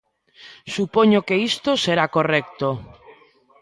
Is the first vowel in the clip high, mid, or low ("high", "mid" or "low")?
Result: high